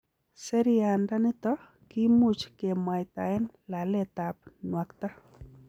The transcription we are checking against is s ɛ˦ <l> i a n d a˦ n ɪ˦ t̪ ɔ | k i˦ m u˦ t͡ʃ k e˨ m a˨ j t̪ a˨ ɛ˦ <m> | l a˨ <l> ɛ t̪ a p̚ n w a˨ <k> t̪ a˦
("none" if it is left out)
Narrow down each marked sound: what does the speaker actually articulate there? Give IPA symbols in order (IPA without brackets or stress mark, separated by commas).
ɾ, n, l, k